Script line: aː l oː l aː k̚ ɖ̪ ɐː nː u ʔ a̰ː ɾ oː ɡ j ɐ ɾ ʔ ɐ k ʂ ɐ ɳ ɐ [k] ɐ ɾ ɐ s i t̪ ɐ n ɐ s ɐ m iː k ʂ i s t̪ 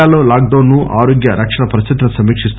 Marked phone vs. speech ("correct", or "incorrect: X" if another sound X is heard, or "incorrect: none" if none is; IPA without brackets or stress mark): incorrect: p